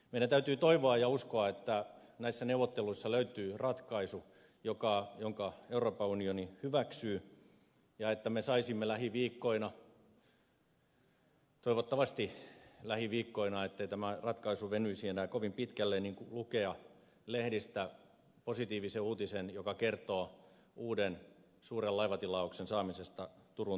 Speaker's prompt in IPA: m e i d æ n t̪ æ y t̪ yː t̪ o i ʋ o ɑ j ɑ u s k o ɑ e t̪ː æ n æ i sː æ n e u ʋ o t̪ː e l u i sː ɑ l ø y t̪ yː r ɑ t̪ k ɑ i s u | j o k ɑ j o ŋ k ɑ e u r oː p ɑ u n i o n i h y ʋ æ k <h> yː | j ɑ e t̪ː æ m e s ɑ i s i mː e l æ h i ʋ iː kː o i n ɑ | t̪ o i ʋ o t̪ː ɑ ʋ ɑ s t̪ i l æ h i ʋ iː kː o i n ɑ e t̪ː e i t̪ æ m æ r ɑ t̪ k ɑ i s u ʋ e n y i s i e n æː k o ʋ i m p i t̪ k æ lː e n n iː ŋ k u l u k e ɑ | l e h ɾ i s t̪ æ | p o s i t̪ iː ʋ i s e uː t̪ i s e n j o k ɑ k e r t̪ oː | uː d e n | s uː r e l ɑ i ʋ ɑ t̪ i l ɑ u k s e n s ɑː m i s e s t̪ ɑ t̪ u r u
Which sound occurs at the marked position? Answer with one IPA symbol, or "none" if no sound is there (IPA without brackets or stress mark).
s